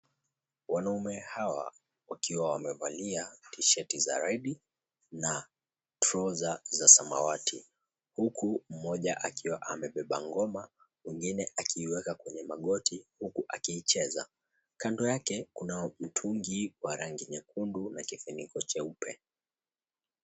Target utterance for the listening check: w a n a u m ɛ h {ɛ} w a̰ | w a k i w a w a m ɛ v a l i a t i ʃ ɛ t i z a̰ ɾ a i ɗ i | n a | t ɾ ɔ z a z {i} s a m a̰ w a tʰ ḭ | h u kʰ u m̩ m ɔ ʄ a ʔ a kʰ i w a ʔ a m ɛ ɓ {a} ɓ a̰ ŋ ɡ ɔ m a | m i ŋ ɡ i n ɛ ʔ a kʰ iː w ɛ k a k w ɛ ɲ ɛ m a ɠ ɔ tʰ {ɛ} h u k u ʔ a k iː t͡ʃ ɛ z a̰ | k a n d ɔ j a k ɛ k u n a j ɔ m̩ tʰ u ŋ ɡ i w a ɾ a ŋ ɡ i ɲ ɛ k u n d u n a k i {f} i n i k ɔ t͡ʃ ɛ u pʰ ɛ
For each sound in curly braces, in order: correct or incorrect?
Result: incorrect: a, incorrect: a, incorrect: ɛ, incorrect: i, correct

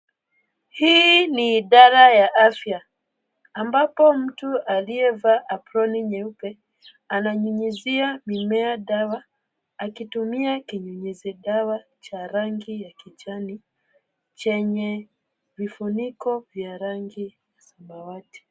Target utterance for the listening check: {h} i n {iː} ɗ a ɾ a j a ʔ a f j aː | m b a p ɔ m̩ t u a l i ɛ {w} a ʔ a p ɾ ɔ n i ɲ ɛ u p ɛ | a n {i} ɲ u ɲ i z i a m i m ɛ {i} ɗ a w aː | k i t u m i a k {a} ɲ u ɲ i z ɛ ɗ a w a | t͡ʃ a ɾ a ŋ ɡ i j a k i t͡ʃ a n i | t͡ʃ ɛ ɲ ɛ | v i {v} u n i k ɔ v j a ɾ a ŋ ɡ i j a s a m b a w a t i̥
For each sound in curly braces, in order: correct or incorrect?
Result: correct, correct, incorrect: v, incorrect: a, incorrect: a, incorrect: i, incorrect: f

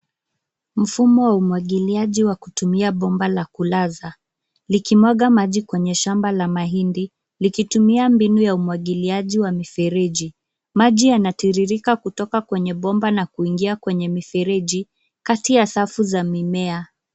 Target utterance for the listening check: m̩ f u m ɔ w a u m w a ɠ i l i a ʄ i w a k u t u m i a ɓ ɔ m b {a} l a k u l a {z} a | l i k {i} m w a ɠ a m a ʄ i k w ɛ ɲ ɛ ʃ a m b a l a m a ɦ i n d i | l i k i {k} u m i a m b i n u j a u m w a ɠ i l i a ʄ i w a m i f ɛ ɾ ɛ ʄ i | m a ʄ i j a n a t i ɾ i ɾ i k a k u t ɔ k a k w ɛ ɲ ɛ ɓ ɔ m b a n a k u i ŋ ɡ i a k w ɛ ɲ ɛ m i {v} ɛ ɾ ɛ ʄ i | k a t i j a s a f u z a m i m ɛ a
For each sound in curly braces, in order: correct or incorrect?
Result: correct, correct, correct, incorrect: t, incorrect: f

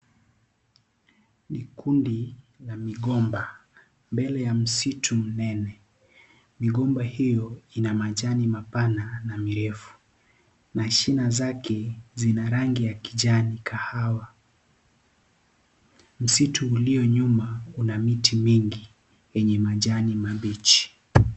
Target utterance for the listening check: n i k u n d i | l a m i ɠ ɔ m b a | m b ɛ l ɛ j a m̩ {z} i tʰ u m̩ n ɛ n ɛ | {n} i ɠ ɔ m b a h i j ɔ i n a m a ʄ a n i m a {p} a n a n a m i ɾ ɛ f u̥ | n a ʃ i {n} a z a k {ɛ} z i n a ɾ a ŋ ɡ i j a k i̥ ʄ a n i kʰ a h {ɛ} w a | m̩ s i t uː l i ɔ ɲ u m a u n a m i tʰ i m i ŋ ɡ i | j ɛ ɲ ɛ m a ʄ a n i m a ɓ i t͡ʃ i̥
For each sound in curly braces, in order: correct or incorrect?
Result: incorrect: s, incorrect: m, correct, correct, correct, incorrect: a

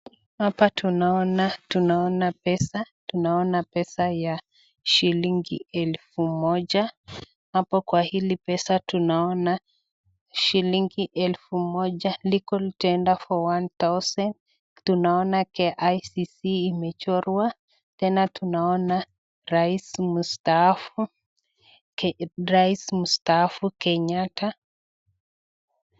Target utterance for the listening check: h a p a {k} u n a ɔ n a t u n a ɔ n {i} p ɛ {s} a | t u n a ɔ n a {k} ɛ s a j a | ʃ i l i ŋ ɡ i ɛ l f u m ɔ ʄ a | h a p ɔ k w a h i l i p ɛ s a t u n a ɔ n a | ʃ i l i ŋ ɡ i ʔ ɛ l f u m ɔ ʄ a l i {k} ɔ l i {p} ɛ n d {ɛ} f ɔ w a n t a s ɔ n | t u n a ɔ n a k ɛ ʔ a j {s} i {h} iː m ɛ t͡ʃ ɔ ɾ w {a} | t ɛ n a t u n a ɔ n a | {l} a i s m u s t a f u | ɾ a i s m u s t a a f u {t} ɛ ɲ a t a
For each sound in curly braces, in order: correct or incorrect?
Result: incorrect: t, incorrect: a, correct, incorrect: p, correct, incorrect: t, incorrect: a, correct, incorrect: s, correct, incorrect: ɾ, incorrect: k

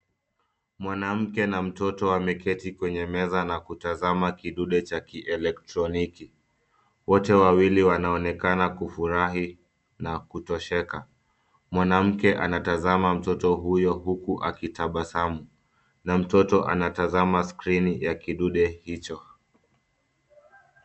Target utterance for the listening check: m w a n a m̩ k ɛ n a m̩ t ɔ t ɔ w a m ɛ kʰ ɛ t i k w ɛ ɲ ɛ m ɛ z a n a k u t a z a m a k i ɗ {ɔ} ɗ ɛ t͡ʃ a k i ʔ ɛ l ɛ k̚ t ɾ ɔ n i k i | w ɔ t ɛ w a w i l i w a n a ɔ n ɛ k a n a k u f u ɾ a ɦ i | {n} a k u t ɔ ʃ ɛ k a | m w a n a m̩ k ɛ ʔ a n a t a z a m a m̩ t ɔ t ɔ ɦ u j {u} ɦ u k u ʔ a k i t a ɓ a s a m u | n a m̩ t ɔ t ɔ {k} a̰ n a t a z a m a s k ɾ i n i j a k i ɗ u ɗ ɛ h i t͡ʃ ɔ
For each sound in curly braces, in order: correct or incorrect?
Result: incorrect: u, correct, incorrect: ɔ, incorrect: ʔ

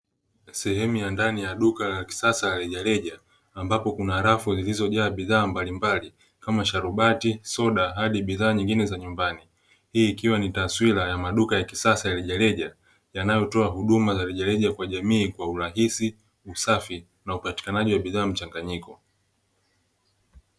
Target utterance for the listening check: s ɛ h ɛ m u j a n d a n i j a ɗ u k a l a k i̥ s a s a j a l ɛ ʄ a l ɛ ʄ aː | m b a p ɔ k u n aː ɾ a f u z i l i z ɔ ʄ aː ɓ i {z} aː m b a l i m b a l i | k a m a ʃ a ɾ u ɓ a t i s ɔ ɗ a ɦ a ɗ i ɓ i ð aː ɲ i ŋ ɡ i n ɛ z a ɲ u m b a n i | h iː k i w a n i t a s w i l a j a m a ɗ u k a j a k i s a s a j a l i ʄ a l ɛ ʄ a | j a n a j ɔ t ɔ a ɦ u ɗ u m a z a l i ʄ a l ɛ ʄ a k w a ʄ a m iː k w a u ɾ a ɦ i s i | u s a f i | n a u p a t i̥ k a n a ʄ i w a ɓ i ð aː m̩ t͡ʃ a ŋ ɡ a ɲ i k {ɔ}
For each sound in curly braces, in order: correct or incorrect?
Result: incorrect: ð, correct

